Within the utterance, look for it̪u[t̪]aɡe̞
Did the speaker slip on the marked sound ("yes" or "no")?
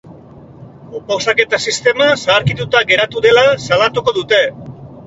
no